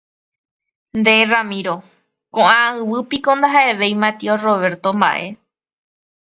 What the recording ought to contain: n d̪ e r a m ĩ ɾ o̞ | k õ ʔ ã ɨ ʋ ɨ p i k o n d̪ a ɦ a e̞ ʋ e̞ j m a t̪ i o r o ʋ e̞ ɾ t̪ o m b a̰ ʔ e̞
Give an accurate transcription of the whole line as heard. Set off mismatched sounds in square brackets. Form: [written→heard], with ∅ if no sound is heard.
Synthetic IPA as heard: n d̪ e r a m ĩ ɾ o̞ | k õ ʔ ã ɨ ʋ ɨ p i k o n d̪ a ɦ a e̞ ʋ e̞ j m a t̪ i o r o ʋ e̞ ɾ t̪ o m b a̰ ʔ e̞

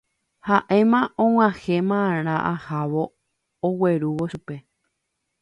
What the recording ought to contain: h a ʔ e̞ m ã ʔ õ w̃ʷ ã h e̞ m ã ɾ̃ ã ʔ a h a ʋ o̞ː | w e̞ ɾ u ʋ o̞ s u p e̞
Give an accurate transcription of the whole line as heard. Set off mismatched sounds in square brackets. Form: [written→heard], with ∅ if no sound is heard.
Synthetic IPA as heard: h a ʔ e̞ m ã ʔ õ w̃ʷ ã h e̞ m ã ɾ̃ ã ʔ a h a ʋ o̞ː | w e̞ ɾ u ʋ o̞ [s→ʃ] u p e̞

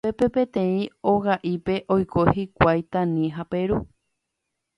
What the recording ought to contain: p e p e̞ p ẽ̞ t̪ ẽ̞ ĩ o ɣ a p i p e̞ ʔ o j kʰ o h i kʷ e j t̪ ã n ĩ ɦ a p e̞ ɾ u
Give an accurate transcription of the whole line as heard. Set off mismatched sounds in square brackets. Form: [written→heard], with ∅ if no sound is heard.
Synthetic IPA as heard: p e p e̞ p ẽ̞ t̪ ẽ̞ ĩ o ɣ a [p→ʔ] i p e̞ ʔ o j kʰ o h i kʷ [e→a] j t̪ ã n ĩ ɦ a p e̞ ɾ u

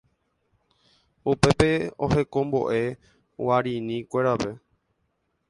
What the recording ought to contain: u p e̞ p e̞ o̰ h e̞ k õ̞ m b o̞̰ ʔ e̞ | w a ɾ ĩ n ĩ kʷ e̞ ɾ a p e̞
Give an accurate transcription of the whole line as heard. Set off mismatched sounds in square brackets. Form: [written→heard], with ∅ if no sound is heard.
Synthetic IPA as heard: u p e̞ p e̞ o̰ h e̞ k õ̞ m b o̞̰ ʔ e̞ | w a ɾ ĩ n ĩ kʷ e̞ ɾ a p e̞

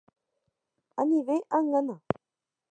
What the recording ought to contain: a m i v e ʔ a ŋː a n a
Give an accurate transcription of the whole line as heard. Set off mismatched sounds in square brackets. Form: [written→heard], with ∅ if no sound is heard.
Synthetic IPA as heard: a [m→n] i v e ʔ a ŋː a n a

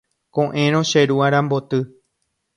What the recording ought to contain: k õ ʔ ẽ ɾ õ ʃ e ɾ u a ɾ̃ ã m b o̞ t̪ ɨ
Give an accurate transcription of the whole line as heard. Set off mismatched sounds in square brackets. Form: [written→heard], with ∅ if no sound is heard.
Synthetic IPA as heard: k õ ʔ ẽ ɾ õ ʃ e ɾ u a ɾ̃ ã m b o̞ t̪ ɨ

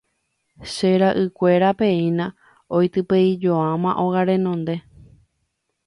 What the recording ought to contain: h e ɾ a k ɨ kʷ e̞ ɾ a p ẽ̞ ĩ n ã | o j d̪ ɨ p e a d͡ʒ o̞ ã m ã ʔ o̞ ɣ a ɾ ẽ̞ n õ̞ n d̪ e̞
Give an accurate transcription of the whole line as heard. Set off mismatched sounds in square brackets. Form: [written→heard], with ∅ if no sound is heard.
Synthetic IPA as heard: [h→ʃ] e ɾ a [k→ʔ] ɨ kʷ e̞ ɾ a p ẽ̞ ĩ n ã | o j [d̪→t̪] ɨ p e [a→i] d͡ʒ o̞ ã m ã ʔ o̞ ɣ a ɾ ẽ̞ n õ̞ n d̪ e̞

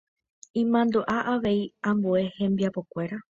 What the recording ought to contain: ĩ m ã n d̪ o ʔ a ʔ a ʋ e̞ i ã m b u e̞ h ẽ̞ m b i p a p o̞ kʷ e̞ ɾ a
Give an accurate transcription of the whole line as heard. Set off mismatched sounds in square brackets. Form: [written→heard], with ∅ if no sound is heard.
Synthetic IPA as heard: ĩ m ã n d̪ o ʔ a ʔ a ʋ e̞ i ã m b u e̞ h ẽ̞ m b i [p→∅] a p o̞ kʷ e̞ ɾ a

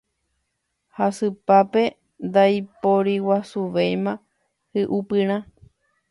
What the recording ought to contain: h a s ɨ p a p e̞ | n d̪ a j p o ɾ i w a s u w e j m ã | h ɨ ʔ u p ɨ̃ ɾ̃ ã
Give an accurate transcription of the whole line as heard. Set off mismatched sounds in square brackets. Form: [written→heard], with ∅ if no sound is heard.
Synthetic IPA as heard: h a s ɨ p a p e̞ | n d̪ a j p o ɾ i w a s u [w→ʋ] e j m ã | h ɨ ʔ u p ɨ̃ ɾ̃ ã

